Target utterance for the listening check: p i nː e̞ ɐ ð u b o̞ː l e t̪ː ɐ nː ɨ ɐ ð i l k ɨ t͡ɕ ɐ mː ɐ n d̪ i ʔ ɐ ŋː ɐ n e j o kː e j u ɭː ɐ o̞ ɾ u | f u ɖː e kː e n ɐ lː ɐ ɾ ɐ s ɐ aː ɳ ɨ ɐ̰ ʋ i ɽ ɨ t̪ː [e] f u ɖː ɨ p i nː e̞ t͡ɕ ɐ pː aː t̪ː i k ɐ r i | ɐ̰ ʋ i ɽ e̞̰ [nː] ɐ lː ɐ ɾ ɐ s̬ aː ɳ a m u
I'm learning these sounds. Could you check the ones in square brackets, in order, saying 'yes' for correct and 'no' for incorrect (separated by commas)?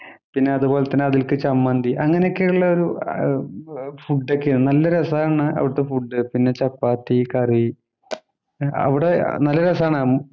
yes, no